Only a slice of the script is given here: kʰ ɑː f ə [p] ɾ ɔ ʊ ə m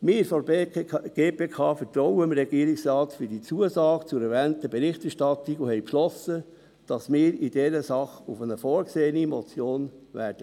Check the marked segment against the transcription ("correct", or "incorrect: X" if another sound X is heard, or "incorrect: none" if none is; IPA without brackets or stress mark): incorrect: t